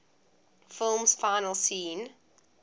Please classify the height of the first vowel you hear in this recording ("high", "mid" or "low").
high